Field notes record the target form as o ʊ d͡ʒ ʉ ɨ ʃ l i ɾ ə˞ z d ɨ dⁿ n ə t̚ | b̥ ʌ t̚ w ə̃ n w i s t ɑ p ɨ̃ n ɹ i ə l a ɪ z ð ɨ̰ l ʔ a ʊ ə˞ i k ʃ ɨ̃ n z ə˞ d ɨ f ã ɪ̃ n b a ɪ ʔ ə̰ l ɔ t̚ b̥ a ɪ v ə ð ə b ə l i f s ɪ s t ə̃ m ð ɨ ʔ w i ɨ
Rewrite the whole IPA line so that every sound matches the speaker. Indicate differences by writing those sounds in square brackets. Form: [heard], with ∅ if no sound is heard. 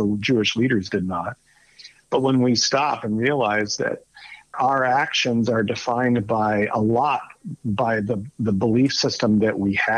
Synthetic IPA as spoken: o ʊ d͡ʒ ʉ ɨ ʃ l i ɾ ə˞ z d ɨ dⁿ n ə t̚ | b̥ ʌ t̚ w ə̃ n w i s t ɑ p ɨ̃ n ɹ i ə l a ɪ z ð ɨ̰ [ɾ] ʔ a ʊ ə˞ [æ] k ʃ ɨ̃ n z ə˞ d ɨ f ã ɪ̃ n b a ɪ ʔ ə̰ l ɔ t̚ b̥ a ɪ [ð] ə ð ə b ə l i f s ɪ s t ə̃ m ð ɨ ʔ w i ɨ